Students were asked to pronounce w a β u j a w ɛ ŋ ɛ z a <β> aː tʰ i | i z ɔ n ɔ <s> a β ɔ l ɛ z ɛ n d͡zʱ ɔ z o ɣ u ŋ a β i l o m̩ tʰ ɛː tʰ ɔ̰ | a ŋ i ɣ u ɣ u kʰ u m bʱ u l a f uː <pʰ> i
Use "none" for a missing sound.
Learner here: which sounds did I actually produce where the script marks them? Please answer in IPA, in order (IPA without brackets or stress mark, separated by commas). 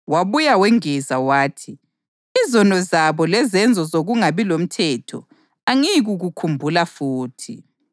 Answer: w, z, tʰ